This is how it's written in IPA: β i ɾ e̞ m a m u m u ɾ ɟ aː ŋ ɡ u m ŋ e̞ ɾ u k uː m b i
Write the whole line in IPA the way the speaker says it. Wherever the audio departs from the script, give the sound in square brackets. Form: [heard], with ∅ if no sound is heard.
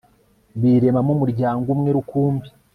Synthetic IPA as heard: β i ɾ e̞ m a m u m u ɾ ɟ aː ŋ ɡ u m ŋ e̞ ɾ u k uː m b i